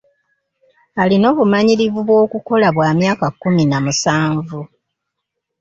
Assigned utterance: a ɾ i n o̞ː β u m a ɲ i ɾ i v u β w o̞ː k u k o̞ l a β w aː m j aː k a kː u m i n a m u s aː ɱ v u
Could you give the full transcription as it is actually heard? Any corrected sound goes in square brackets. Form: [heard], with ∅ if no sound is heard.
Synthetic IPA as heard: a [l] i n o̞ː β u m a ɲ i ɾ i v u β w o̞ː k u k o̞ l a β w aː m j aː k a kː u m i n a m u s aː ɱ v u

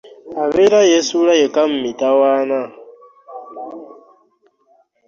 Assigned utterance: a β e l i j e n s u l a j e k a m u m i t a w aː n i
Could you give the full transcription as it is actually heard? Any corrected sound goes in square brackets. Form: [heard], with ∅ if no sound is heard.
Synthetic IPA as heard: a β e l [a] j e [∅] s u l a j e k a m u m i t a w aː n [a]

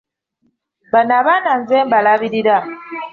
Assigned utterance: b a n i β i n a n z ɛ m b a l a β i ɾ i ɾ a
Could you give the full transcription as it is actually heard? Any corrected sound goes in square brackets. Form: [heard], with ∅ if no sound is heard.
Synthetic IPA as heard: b a n [a] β [a] n a n z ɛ m b a l a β i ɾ i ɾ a

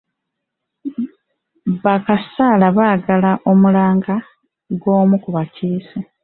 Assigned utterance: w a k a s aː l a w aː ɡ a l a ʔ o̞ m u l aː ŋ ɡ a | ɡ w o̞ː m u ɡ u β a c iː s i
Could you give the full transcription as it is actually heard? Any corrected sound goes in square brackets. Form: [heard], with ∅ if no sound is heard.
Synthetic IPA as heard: [β] a k a s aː l a [β] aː ɡ a l a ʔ o̞ m u l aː ŋ ɡ a | ɡ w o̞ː m u [k] u β a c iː s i

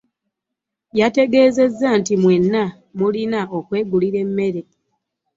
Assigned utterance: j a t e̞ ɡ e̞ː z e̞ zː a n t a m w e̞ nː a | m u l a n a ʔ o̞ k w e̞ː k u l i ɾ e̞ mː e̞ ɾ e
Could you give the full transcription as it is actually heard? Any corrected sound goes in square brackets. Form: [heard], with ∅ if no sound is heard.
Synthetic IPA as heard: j a t e̞ ɡ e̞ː z e̞ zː a n t [i] m w e̞ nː a | m u l [i] n a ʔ o̞ k w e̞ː [ɡ] u l i ɾ e̞ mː e̞ ɾ e

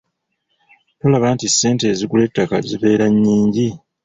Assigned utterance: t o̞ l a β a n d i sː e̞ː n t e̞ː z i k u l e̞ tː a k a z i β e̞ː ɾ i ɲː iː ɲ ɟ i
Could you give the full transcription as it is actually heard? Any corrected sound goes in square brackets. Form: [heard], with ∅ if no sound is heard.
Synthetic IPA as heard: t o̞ l a β a n [t] i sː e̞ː n t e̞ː z i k u l e̞ tː a k a z i β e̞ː ɾ [a] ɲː iː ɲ ɟ i

